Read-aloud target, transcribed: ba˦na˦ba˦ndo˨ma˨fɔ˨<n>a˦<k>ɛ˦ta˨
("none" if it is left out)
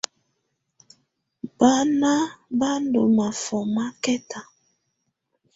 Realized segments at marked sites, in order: m, k

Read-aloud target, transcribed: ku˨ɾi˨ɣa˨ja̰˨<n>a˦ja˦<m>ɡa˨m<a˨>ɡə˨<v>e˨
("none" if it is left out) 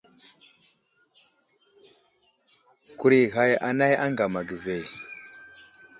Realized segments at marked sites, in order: n, ŋ, a˨, v

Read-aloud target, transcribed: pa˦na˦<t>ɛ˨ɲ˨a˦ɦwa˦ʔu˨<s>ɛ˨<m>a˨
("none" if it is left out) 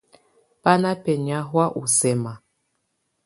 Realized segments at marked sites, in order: p, s, m

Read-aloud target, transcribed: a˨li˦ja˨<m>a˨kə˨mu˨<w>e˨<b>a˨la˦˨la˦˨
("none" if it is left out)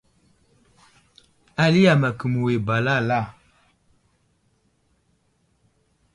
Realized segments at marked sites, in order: m, w, b

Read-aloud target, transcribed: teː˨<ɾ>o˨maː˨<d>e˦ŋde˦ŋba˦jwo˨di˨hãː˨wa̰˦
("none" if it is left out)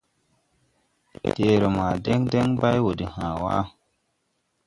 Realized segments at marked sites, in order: ɾ, d

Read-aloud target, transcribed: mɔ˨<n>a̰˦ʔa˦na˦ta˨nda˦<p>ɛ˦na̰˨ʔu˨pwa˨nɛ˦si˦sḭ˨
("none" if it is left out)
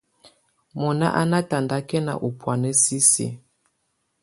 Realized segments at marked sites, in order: n, k

